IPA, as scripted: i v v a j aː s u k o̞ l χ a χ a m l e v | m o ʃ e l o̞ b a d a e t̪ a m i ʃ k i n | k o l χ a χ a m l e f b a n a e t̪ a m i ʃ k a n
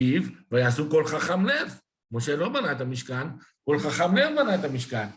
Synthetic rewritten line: i v v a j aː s u k o̞ l χ a χ a m l e v | m o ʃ e l o̞ b a n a e t̪ a m i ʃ k a n | k o l χ a χ a m l e v b a n a e t̪ a m i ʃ k a n